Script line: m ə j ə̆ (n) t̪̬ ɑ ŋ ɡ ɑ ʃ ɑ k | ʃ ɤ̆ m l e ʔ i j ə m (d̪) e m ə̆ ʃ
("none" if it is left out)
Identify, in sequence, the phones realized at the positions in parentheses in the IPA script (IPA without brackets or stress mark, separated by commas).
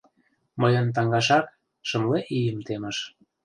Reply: n, t̪